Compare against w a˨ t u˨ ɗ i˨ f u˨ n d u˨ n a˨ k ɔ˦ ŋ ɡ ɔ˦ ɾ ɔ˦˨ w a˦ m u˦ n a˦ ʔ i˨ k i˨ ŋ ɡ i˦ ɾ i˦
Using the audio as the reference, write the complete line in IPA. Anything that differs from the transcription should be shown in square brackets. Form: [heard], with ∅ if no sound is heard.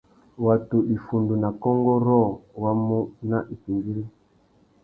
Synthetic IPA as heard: w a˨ t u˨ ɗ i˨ f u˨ n d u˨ n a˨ k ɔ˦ ŋ ɡ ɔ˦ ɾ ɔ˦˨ w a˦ m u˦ n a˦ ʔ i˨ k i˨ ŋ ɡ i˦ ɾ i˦